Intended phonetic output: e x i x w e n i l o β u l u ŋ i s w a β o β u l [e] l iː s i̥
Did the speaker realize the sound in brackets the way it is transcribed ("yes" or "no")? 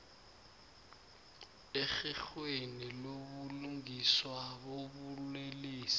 yes